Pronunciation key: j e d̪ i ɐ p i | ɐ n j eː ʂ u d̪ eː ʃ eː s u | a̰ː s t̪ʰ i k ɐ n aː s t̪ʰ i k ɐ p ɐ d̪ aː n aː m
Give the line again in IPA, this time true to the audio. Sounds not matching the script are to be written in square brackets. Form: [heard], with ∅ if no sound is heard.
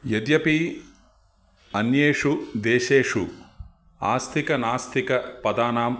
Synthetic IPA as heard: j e d̪ [j] ɐ p i | ɐ n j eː ʂ u d̪ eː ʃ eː [ʂ] u | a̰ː s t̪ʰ i k ɐ n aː s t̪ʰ i k ɐ p ɐ d̪ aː n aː m